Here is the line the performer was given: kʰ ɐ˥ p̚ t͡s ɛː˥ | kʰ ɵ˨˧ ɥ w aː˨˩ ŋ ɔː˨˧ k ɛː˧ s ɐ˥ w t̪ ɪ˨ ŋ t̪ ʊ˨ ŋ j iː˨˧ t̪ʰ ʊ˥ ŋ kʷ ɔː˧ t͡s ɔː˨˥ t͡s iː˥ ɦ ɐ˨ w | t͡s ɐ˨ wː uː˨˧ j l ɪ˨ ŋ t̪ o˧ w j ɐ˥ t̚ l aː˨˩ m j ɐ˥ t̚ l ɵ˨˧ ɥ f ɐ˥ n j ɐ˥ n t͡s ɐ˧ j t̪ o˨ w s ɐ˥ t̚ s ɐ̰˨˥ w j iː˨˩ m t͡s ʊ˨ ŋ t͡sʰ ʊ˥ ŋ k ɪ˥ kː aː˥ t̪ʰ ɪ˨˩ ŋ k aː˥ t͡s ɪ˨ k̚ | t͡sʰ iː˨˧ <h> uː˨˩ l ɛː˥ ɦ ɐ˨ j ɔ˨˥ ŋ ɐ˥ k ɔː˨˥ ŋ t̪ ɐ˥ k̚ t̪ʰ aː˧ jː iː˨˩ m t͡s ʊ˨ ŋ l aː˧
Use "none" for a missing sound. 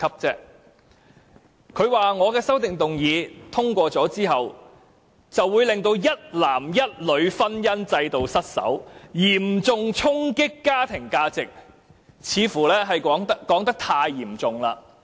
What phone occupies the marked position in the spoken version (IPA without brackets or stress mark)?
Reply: f